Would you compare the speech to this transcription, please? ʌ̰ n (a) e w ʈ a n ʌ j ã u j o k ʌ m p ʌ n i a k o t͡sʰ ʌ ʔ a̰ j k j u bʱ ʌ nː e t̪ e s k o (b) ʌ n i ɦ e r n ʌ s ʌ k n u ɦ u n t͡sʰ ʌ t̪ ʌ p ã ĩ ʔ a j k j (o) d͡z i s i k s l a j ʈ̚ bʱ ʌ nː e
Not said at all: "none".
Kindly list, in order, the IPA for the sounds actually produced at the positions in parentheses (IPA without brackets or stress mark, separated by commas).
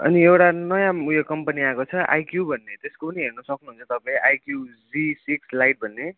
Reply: i, p, u